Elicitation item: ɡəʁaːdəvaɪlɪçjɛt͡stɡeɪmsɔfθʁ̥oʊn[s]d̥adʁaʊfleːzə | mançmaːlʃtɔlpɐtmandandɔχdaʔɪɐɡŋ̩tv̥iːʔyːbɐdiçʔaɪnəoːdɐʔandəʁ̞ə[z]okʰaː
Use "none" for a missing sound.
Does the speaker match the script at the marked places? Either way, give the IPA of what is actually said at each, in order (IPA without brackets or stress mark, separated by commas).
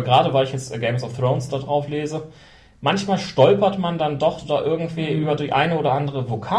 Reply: s, v